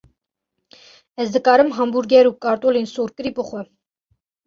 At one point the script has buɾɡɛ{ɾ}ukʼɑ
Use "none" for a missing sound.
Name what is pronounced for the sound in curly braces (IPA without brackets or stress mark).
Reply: ɾ